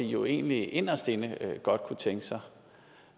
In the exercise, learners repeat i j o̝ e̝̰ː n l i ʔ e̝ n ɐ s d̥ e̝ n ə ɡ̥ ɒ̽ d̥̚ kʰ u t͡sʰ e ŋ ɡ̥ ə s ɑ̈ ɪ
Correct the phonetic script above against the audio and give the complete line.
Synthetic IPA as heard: i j o̝ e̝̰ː n l i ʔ e̝ n ɐ s d̥ e̝ n ə ɡ̥ ɒ̽ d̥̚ kʰ u t͡sʰ e ŋ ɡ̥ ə s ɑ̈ ɪ